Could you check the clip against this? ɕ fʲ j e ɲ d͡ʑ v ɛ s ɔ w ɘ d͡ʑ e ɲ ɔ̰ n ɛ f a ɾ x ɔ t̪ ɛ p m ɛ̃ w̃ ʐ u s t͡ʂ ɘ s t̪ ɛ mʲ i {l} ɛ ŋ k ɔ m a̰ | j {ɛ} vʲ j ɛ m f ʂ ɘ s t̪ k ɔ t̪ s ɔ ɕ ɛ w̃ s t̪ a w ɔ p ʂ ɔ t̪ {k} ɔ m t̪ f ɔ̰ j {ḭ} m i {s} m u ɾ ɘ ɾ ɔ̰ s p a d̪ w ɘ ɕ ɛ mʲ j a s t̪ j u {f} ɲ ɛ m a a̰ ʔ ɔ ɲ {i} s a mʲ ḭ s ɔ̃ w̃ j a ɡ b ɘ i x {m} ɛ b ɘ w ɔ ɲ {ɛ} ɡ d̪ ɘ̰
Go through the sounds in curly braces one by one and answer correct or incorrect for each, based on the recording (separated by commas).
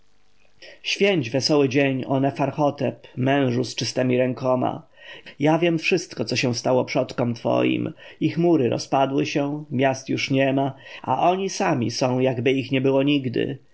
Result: incorrect, incorrect, correct, correct, incorrect, incorrect, correct, incorrect, incorrect